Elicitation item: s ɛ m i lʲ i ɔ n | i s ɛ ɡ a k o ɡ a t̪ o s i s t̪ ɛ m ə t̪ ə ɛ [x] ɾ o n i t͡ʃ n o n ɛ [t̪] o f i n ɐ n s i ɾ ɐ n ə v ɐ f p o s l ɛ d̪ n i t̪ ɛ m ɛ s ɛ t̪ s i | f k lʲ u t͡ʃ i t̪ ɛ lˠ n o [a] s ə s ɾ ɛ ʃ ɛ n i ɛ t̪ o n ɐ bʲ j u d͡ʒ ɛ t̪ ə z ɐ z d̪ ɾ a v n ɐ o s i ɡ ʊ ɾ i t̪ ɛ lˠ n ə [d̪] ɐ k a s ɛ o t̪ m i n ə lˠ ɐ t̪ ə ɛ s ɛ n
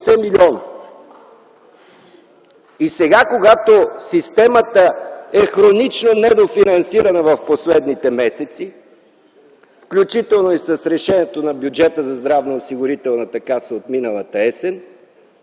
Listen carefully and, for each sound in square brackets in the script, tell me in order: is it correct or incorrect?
correct, incorrect: d̪, incorrect: i, incorrect: t̪

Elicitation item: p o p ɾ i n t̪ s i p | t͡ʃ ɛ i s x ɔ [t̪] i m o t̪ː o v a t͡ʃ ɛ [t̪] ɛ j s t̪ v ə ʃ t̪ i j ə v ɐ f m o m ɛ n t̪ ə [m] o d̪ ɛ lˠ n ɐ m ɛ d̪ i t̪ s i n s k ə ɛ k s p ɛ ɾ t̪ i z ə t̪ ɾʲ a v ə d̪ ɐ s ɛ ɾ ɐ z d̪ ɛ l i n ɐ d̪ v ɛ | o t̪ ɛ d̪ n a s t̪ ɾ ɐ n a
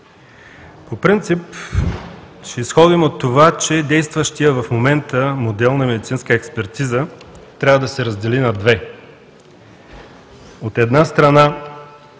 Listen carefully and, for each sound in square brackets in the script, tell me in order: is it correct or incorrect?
incorrect: d̪, incorrect: d̪, correct

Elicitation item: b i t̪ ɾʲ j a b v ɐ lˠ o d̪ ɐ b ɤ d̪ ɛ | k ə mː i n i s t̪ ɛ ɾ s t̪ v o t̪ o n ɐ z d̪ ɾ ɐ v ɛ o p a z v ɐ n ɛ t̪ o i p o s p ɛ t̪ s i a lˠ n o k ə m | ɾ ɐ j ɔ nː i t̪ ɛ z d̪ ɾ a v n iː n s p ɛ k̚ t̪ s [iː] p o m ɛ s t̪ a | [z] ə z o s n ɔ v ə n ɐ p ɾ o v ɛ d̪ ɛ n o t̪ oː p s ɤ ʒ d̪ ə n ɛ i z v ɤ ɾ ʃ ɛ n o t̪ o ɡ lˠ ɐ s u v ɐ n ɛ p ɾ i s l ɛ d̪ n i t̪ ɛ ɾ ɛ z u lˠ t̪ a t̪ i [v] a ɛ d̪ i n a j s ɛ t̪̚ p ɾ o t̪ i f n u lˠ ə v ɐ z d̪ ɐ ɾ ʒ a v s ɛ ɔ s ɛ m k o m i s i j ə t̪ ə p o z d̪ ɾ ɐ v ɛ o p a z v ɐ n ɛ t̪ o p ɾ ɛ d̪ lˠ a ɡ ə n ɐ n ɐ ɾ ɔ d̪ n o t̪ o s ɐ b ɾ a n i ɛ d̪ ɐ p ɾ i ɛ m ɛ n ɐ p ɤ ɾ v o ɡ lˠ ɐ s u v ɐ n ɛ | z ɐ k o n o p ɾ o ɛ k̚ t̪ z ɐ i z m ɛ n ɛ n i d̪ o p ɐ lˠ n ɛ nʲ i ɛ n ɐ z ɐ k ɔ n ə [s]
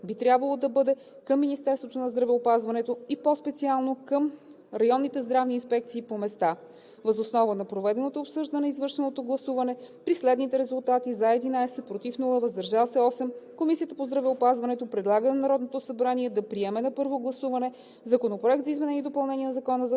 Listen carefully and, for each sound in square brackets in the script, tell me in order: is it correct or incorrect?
correct, incorrect: v, incorrect: z, incorrect: z

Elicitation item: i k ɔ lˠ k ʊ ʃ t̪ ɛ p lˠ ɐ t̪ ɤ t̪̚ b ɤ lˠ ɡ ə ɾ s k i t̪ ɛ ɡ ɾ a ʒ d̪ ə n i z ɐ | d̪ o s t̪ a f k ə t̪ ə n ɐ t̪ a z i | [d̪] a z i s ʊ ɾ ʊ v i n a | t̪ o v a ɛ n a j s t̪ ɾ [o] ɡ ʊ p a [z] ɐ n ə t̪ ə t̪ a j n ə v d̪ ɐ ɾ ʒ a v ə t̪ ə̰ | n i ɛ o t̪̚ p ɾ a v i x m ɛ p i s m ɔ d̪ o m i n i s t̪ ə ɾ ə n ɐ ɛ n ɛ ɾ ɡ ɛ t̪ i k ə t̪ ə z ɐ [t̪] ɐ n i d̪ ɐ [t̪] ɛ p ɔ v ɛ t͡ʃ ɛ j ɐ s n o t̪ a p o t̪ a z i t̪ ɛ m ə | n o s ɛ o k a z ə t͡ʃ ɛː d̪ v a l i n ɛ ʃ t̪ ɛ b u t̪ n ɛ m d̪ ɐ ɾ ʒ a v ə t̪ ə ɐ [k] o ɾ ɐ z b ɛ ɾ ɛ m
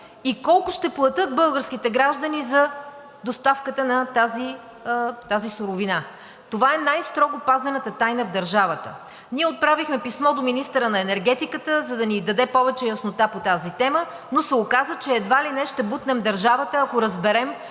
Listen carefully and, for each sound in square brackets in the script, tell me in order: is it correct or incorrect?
incorrect: t̪, incorrect: ɔ, correct, incorrect: d̪, incorrect: d̪, correct

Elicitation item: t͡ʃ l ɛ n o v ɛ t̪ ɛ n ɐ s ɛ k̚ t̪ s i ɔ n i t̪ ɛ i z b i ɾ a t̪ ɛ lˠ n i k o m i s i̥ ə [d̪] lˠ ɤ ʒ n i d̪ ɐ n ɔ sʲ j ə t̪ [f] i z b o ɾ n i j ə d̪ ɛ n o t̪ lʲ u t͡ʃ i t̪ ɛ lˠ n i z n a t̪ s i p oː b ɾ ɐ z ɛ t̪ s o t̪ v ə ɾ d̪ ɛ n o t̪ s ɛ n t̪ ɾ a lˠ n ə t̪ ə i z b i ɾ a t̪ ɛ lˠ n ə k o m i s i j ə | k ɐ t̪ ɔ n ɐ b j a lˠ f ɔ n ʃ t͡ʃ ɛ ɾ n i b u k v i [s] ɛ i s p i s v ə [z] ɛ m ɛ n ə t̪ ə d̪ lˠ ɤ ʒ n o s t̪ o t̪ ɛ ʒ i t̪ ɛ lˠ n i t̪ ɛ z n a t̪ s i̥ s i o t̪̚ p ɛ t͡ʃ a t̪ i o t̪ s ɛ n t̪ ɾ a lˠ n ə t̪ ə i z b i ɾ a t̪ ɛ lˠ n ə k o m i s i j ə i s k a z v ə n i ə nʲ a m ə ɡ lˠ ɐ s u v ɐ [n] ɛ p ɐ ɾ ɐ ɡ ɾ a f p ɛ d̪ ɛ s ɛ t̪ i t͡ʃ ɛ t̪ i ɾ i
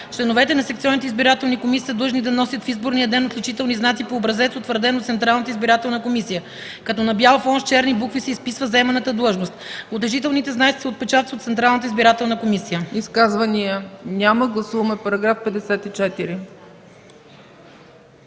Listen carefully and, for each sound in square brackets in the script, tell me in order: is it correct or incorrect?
correct, correct, correct, correct, incorrect: m

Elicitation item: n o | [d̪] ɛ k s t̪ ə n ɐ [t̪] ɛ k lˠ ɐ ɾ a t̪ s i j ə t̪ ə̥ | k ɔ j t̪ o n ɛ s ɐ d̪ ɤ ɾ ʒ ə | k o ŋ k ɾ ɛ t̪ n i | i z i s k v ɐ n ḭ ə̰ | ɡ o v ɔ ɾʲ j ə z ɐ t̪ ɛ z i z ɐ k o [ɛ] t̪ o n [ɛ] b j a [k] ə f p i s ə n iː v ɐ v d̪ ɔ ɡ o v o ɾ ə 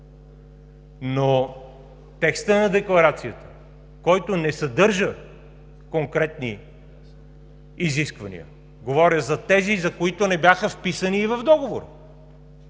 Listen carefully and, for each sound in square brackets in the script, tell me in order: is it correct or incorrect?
incorrect: t̪, incorrect: d̪, incorrect: i, correct, incorrect: x

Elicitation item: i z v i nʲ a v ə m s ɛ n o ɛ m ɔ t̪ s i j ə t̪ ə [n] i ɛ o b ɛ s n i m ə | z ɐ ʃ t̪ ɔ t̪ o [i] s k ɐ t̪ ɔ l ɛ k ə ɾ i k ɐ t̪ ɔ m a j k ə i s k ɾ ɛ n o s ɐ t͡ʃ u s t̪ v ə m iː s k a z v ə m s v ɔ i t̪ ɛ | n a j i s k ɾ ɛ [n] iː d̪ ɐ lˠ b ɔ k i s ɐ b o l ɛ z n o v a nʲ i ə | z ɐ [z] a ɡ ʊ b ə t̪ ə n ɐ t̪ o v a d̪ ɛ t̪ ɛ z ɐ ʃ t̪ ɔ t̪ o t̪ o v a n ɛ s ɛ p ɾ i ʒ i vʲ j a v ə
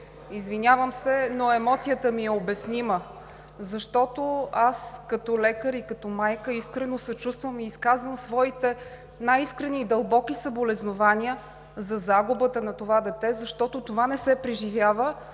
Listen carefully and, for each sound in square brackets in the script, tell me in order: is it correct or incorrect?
incorrect: m, incorrect: a, correct, correct

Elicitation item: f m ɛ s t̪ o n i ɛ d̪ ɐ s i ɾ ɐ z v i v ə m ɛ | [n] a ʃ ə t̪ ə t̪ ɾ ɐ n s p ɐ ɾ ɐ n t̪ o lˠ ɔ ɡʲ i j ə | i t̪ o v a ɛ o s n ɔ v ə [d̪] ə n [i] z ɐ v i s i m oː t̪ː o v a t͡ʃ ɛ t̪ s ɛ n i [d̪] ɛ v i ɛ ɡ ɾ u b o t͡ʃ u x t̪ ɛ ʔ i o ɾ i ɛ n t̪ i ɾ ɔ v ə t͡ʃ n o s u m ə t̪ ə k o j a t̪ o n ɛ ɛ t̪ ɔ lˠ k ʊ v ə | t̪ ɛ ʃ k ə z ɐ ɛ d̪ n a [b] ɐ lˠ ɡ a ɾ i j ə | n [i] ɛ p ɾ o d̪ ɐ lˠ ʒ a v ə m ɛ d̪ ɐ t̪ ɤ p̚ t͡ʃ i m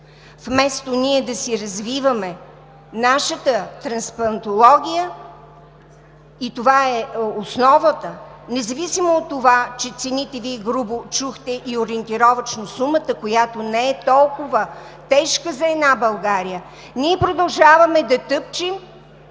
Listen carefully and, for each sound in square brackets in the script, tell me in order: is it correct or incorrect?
correct, incorrect: t̪, incorrect: ɛ, incorrect: t̪, correct, correct

